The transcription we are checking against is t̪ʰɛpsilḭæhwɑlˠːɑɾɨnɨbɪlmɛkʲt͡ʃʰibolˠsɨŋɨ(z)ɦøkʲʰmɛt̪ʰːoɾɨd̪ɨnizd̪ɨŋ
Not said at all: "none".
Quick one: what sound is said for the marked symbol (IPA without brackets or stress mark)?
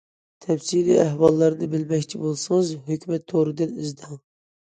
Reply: z